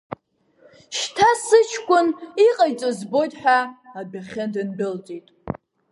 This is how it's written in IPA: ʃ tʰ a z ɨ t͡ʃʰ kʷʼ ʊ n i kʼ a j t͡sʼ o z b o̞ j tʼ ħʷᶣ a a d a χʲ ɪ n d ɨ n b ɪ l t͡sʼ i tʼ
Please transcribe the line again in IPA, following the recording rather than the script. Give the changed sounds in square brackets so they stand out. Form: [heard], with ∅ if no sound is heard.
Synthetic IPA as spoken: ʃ tʰ a [s] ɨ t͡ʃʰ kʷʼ ʊ n i [qʼ] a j t͡sʼ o z b o̞ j tʼ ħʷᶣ a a [b] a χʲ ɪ n d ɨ n b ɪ l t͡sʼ i tʼ